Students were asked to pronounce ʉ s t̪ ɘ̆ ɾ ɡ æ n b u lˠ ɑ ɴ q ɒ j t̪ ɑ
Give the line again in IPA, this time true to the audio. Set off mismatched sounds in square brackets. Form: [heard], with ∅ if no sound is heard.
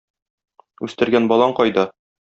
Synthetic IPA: ʉ s t̪ ɘ̆ ɾ ɡ æ n b [ɒ] lˠ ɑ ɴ q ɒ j [d̪] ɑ